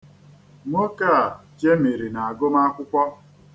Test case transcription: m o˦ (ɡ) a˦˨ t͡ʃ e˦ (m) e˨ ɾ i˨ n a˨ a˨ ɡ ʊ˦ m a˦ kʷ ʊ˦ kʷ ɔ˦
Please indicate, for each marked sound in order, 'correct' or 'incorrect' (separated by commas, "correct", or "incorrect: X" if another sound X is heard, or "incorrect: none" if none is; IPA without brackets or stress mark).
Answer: incorrect: k, correct